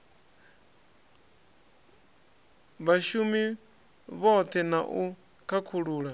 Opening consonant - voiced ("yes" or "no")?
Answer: yes